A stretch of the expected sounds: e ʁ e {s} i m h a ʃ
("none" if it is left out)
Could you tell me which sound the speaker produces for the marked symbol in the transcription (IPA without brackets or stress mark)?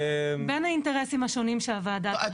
s